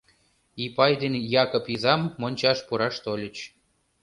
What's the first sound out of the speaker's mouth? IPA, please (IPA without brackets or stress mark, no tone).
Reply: i